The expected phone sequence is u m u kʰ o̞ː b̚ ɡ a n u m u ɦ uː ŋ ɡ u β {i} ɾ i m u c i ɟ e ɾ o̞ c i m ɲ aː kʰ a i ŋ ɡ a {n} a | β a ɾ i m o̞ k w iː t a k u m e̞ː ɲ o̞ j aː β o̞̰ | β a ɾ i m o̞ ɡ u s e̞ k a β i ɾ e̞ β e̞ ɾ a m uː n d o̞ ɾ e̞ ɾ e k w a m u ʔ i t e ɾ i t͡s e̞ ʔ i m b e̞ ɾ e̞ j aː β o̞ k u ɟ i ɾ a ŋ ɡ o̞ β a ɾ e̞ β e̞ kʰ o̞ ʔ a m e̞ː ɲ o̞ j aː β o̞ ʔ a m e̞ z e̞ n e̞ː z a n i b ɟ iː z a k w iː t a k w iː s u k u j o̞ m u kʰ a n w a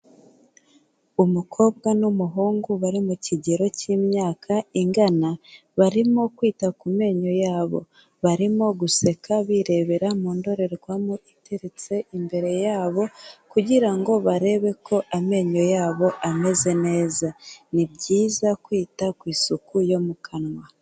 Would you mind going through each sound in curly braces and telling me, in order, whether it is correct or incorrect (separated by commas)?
incorrect, correct